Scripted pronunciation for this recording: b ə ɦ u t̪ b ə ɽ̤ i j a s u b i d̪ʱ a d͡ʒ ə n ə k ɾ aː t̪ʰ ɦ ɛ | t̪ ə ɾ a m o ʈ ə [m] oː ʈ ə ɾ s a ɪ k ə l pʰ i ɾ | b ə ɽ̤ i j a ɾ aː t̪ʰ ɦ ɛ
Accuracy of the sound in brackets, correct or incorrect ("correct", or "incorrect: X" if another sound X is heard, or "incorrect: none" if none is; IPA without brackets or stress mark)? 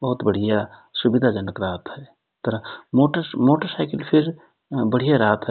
correct